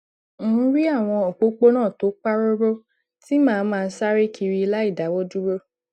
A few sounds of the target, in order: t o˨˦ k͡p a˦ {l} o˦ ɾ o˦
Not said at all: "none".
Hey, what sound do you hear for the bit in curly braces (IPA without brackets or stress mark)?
ɾ